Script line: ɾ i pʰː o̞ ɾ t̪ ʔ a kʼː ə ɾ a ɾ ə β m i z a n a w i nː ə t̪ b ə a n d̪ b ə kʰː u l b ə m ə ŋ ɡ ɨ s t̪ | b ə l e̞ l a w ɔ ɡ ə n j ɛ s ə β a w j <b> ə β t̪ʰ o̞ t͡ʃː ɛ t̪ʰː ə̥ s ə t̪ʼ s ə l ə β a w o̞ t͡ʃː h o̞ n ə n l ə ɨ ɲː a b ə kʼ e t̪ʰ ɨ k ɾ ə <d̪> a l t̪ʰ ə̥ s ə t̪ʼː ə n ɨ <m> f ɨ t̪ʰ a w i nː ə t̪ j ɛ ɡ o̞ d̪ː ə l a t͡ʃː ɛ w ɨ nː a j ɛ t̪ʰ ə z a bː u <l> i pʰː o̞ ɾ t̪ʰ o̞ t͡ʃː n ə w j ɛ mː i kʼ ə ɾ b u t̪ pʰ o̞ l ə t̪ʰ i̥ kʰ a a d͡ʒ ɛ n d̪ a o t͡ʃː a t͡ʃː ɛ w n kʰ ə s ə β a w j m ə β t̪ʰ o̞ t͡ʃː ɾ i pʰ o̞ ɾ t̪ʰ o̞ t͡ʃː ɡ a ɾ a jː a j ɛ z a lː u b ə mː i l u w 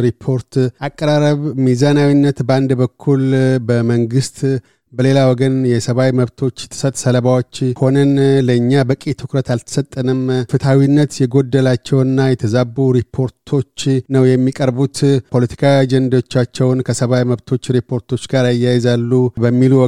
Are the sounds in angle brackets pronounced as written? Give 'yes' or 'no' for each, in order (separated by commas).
no, no, yes, no